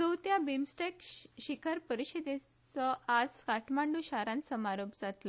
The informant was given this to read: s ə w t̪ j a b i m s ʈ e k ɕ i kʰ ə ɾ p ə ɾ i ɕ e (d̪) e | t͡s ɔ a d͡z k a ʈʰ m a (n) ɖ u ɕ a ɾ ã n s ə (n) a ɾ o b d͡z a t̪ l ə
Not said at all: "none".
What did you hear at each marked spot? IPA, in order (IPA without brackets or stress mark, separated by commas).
d̪, ɳ, m